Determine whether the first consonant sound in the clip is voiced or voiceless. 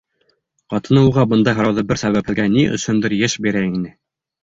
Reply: voiceless